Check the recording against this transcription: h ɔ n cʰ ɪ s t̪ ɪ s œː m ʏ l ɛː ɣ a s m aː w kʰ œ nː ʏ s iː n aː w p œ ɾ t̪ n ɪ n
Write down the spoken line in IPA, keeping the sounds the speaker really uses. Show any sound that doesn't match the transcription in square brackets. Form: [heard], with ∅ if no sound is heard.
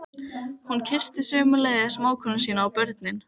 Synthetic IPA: h [u] n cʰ ɪ s t̪ ɪ s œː m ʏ l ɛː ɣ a s m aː w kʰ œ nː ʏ s iː n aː w p œ ɾ t̪ n ɪ n